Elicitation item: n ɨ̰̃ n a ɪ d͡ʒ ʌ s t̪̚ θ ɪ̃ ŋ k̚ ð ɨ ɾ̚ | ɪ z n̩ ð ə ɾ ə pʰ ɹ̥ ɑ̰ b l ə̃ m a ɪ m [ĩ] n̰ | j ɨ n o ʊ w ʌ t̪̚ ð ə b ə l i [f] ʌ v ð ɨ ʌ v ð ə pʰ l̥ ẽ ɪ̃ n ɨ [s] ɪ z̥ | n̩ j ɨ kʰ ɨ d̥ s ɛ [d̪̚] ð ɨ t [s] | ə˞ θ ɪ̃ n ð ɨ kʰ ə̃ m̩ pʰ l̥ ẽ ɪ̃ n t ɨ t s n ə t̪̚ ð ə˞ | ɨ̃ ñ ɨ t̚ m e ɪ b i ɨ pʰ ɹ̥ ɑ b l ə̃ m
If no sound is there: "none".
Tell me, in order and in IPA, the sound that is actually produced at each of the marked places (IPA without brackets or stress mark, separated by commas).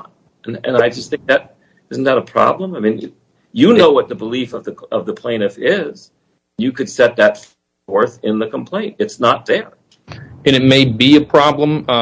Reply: ĩ, f, f, t̪̚, f